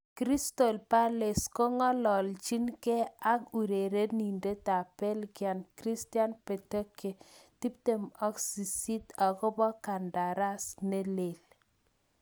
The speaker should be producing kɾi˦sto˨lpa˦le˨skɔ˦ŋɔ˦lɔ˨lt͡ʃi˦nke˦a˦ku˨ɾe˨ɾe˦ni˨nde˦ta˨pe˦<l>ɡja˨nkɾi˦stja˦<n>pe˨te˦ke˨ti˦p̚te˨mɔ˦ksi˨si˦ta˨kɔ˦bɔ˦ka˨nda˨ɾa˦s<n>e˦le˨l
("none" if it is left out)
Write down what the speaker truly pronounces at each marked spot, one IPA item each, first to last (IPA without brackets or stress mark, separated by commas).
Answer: l, n, n